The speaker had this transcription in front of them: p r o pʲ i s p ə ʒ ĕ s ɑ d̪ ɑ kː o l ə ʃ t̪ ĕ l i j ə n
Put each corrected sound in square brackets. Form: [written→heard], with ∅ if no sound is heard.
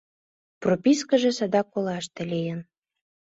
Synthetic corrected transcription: p r o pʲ i s [p→k] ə ʒ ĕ s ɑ d̪ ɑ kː o l [ə→ɑ] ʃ t̪ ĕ l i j ə n